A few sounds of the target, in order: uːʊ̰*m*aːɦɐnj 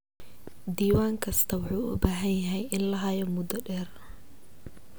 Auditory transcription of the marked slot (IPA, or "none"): b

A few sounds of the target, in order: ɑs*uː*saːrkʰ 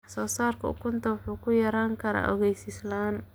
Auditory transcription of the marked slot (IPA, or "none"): ɔː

